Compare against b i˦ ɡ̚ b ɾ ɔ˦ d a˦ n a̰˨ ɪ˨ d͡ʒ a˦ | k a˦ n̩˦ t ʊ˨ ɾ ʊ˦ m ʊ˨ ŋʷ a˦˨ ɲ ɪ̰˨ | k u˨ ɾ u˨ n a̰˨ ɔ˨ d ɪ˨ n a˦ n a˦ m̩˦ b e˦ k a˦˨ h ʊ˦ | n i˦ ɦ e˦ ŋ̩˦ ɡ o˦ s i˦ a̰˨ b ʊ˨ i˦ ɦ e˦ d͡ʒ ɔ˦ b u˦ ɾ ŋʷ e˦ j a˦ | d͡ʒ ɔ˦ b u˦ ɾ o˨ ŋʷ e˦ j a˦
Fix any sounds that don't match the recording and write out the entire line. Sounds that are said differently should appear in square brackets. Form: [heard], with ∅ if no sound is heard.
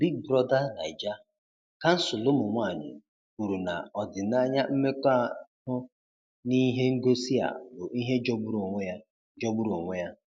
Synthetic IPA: b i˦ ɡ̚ b ɾ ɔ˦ d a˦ n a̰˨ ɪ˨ d͡ʒ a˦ | k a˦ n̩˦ [s] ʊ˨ [l] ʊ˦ m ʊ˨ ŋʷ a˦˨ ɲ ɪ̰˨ | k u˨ ɾ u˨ n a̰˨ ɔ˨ d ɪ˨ n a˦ [ɲ] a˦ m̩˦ [m] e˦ k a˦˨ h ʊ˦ | n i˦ ɦ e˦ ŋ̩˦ ɡ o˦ s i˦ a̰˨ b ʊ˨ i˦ ɦ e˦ d͡ʒ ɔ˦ b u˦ ɾ ŋʷ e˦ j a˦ | d͡ʒ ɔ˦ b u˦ ɾ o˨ ŋʷ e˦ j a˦